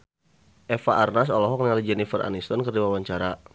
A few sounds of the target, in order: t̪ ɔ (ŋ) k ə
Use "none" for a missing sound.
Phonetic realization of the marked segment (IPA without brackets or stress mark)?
n